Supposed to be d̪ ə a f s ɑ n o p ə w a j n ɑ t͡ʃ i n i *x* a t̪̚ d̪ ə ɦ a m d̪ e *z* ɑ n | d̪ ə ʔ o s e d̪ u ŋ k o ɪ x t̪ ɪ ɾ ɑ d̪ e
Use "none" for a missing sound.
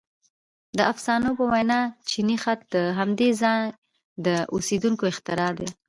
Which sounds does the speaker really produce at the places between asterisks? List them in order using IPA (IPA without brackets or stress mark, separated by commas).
x, z